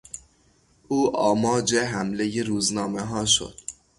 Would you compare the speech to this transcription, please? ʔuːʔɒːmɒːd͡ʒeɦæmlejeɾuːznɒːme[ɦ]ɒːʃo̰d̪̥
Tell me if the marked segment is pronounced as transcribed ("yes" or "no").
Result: yes